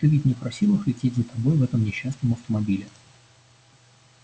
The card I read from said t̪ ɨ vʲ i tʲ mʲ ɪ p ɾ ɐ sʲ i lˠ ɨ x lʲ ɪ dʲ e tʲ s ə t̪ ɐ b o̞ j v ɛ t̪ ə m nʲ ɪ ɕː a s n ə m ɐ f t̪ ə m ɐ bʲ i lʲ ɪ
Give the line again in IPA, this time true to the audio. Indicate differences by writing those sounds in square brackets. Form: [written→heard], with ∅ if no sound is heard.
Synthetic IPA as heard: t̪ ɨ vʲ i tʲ [mʲ→nʲ] ɪ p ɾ ɐ sʲ i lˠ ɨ x lʲ ɪ [dʲ→tʲ] e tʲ [s→z] ə t̪ ɐ b o̞ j v ɛ t̪ ə m nʲ ɪ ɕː a s n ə m ɐ f t̪ ə m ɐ bʲ i lʲ ɪ